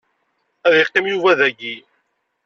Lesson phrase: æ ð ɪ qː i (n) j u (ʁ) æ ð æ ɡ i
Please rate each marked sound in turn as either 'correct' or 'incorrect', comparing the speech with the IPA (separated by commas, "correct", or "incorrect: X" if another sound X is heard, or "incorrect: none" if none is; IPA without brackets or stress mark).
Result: incorrect: m, incorrect: v